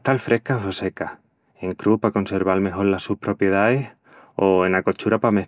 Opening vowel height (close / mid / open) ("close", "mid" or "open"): open